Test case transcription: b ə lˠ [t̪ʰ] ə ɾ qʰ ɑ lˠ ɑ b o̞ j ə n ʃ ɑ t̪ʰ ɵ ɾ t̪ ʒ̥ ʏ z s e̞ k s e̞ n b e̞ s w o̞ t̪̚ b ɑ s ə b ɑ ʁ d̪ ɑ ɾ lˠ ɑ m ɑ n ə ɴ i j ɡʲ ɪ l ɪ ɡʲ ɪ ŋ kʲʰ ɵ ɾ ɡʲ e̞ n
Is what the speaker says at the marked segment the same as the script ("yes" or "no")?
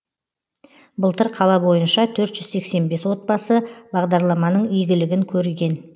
no